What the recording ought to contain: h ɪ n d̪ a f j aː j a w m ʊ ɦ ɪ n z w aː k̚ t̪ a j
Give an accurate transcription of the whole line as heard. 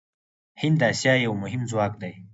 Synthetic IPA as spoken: h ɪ n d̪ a s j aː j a w m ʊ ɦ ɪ m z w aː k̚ d̪ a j